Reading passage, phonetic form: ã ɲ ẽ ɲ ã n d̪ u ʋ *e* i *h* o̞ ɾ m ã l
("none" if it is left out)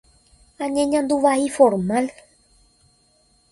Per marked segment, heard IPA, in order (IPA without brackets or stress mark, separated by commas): a, f